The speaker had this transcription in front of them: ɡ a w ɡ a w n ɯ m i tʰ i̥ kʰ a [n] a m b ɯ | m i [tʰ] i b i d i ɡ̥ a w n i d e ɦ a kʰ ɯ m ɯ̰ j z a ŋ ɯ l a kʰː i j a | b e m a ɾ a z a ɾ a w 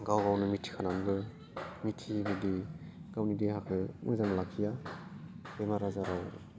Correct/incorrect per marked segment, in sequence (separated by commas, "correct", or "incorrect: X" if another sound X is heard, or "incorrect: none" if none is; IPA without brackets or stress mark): correct, correct